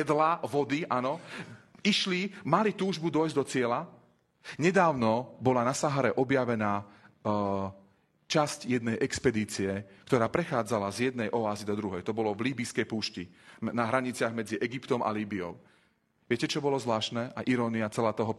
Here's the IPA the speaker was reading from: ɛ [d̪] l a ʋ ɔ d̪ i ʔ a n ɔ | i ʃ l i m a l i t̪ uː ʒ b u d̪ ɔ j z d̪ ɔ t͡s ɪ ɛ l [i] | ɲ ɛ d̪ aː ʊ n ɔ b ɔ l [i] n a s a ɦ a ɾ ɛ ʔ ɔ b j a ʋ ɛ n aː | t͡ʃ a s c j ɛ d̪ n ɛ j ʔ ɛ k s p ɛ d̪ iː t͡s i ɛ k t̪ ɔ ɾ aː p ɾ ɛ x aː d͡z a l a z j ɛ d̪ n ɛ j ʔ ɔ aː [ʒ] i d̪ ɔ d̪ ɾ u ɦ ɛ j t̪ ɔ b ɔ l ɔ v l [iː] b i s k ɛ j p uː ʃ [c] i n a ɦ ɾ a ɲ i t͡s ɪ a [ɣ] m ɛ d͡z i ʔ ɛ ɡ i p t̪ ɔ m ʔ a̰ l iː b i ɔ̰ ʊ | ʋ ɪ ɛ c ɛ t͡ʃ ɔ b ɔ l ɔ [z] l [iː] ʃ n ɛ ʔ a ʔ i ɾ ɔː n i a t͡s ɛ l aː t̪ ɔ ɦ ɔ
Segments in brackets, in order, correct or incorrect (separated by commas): correct, incorrect, incorrect, incorrect, correct, correct, correct, correct, incorrect